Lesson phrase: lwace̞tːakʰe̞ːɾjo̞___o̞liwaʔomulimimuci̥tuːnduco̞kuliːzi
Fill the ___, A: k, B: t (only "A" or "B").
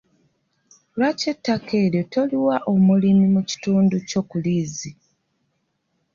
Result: B